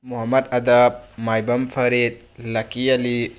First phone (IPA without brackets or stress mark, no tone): m